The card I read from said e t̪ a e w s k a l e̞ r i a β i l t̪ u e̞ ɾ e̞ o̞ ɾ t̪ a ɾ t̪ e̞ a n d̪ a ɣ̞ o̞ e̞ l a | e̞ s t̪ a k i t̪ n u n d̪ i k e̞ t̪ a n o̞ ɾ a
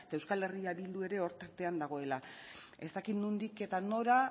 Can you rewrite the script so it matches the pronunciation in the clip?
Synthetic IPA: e t̪ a e w s k a l e̞ r i a β i l d̪ u e̞ ɾ e̞ o̞ ɾ t̪ a ɾ t̪ e̞ a n d̪ a ɣ̞ o̞ e̞ l a | e̞ s t̪ a k i t̪ n u n d̪ i k e̞ t̪ a n o̞ ɾ a